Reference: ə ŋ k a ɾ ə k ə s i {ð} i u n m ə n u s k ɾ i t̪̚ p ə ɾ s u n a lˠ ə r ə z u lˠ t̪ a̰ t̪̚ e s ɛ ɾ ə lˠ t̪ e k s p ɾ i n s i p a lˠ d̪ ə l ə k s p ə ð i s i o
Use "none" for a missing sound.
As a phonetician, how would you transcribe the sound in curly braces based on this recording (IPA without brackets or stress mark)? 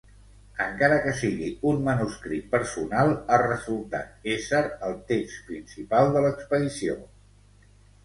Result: ɣ